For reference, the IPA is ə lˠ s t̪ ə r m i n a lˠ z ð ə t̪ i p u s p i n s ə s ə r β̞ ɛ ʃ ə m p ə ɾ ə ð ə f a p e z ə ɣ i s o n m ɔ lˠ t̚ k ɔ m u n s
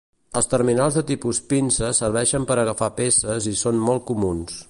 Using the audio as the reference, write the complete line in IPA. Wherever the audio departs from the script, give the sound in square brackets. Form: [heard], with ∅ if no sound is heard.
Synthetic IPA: ə lˠ s t̪ ə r m i n a lˠ z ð ə t̪ i p u s p i n s ə s ə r β̞ ɛ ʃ ə m p ə ɾ ə [ɣ] ə f a p e [s] ə [z] i s o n m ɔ lˠ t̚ k [u] m u n s